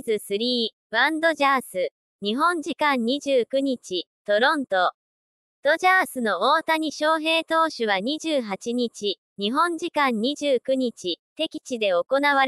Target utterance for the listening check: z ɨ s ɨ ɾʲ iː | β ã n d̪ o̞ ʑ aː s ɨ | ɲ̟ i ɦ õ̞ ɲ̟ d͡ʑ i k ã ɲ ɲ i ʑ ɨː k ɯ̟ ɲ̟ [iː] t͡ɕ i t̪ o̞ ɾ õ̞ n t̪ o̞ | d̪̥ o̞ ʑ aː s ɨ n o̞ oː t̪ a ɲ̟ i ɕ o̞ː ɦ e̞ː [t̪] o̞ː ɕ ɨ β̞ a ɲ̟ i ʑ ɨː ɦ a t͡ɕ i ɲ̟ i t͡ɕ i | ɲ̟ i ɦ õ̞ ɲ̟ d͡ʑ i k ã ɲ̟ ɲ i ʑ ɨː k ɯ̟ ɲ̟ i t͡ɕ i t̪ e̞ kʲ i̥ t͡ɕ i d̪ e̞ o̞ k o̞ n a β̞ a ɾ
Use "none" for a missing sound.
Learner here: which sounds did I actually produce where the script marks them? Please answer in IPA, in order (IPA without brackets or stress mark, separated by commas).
i, t̪